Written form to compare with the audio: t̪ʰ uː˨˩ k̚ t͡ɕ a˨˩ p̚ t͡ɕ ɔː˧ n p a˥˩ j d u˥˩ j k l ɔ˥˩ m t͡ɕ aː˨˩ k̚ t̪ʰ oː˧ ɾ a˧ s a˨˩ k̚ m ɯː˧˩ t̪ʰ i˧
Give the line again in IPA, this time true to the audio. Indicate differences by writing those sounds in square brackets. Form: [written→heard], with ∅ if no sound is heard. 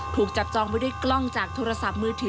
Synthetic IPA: t̪ʰ uː˨˩ k̚ t͡ɕ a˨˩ p̚ t͡ɕ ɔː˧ [n→ŋ] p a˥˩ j d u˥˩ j k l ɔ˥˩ [m→ŋ] t͡ɕ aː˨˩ k̚ t̪ʰ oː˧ ɾ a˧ s a˨˩ [k̚→p̚] m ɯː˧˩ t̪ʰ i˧